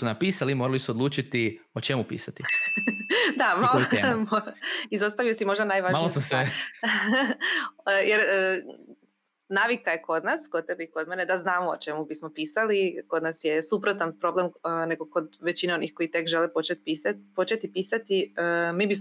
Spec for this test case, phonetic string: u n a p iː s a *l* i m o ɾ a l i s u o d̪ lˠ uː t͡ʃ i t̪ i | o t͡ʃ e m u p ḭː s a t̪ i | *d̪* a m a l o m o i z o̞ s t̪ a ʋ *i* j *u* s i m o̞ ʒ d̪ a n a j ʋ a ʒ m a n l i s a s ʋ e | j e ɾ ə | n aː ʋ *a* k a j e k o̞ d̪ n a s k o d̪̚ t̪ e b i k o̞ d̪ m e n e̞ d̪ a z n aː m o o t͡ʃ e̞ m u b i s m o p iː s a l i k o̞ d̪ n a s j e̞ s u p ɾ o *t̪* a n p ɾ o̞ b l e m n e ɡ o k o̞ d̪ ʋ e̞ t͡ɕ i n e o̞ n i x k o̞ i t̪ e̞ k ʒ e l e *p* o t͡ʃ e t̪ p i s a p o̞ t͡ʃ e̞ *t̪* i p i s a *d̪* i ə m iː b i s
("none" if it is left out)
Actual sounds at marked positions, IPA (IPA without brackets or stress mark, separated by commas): l, d̪, i, o, i, t̪, p, t̪, t̪